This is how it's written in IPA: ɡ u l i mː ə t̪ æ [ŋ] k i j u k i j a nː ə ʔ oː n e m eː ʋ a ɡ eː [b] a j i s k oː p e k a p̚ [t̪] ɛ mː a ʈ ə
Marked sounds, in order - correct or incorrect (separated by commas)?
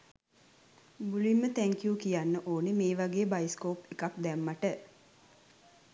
correct, correct, incorrect